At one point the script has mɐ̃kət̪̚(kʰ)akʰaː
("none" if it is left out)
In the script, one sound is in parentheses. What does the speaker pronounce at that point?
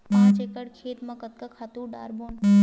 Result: k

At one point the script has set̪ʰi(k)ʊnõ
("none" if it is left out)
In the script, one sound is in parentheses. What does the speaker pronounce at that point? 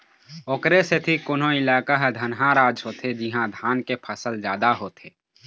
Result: k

